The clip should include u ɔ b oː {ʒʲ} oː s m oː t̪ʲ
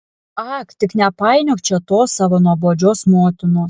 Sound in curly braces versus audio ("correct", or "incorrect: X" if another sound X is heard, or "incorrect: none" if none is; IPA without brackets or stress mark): incorrect: d͡ʒʲ